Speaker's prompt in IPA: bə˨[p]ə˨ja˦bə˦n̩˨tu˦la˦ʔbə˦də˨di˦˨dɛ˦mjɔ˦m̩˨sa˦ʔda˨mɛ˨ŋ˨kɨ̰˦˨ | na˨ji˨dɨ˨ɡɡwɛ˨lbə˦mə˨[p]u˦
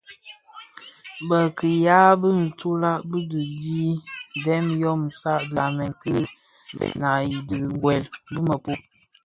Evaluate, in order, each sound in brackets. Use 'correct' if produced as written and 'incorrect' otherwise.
incorrect, correct

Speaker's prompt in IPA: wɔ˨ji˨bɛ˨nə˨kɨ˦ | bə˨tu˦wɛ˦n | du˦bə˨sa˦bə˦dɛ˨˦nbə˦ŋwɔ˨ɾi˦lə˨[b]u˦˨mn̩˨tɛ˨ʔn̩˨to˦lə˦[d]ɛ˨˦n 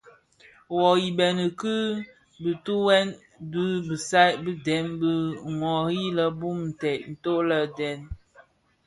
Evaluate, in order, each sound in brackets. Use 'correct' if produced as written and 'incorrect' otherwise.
correct, correct

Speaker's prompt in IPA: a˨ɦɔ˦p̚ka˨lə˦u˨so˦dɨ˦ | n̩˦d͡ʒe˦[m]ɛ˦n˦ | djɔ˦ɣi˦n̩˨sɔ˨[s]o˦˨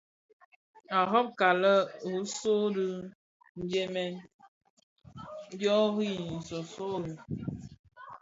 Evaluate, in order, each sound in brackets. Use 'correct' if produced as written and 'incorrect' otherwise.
correct, correct

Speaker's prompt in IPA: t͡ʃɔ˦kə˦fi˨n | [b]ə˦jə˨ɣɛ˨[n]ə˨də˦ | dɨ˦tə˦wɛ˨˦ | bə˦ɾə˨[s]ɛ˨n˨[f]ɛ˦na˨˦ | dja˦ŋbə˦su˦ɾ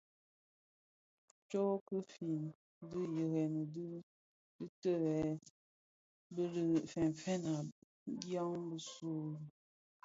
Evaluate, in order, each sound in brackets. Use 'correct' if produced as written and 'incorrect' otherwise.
incorrect, correct, incorrect, correct

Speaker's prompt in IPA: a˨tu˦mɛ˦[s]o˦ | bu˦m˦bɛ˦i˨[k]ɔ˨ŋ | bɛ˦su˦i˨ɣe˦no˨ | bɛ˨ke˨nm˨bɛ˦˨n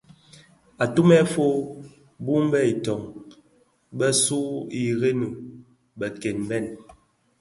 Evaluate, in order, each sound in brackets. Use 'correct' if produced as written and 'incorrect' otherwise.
incorrect, incorrect

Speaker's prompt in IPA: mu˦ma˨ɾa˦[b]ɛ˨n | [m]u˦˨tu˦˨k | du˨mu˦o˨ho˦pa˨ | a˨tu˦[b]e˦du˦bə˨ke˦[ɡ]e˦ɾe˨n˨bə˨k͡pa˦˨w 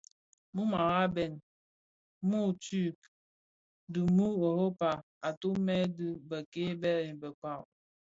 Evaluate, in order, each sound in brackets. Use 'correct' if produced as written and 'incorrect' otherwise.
correct, correct, incorrect, incorrect

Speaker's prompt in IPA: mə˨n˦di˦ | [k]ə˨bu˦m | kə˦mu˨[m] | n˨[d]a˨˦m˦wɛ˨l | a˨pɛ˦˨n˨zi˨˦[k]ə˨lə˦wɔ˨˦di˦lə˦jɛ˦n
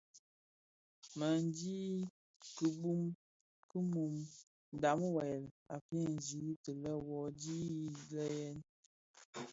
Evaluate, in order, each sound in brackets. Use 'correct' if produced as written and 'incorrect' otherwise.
correct, correct, correct, incorrect

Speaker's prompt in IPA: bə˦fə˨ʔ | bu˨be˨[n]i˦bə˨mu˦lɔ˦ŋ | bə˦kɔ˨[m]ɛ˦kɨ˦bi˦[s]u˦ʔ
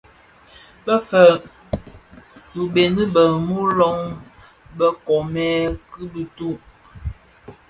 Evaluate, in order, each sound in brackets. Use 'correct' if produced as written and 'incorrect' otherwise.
correct, correct, incorrect

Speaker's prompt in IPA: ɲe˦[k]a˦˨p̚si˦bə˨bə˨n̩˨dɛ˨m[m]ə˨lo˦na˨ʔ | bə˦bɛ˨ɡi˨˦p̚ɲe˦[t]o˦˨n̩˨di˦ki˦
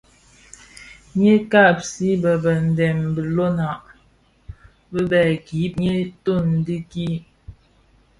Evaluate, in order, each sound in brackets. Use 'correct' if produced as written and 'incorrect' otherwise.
correct, incorrect, correct

